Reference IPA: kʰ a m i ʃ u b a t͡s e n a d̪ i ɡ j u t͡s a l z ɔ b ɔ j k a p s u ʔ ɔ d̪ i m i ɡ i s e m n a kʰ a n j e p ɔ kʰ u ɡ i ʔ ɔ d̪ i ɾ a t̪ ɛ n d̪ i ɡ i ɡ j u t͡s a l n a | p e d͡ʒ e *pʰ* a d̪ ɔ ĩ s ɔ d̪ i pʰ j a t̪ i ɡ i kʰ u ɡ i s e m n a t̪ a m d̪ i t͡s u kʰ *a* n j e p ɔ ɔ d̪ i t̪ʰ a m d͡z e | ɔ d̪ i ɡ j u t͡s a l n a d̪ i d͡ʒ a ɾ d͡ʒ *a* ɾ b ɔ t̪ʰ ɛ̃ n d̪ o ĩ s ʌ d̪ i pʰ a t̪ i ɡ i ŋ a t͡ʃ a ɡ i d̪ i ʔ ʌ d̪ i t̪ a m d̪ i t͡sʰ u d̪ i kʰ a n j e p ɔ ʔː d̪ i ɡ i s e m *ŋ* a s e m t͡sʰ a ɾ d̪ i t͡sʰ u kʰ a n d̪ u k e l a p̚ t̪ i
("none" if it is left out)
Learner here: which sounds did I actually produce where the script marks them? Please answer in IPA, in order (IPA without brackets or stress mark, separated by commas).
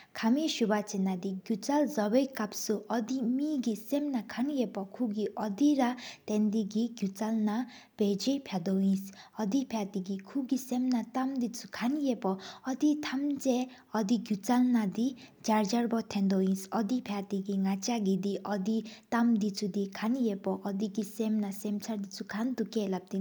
pʰ, a, a, n